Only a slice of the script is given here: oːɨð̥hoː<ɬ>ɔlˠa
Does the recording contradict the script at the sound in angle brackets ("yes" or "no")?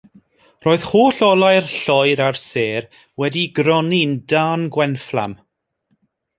no